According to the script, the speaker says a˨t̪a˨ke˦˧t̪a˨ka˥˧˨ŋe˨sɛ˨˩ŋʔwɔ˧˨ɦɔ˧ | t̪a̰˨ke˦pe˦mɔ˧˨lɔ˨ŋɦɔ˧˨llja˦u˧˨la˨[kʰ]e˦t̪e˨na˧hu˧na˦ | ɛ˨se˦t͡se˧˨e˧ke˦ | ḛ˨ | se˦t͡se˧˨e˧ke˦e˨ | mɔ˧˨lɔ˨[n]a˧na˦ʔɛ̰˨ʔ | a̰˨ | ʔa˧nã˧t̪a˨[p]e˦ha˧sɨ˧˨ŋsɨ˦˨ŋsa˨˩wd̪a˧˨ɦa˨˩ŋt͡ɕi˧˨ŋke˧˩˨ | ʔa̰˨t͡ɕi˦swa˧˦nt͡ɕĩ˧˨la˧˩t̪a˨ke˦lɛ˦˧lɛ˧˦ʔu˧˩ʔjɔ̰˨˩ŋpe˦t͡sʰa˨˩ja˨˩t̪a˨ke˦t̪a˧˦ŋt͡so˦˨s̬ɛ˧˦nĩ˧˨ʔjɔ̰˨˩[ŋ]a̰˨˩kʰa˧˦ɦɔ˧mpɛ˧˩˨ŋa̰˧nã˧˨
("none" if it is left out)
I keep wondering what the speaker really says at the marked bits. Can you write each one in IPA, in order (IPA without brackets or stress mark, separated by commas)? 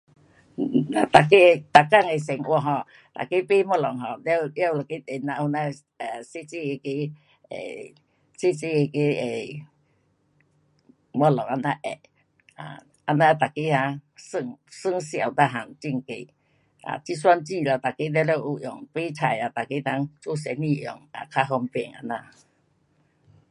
k, ŋ, k, ŋ